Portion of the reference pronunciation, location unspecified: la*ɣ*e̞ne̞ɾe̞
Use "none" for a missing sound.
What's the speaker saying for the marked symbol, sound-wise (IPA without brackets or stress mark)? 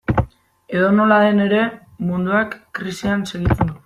ð